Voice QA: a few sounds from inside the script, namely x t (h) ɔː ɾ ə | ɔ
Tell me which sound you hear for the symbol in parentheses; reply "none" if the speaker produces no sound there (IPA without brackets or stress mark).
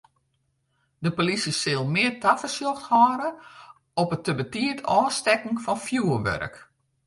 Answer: h